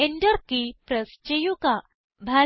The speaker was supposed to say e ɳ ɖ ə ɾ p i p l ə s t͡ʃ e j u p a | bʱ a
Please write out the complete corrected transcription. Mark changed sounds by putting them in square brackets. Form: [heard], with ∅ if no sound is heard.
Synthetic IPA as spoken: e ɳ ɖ ə ɾ [k] i p [ɾ] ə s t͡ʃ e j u [k] a | bʱ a